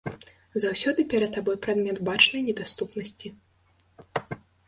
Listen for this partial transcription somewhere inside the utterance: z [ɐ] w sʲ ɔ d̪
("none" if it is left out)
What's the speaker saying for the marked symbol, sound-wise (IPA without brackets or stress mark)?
a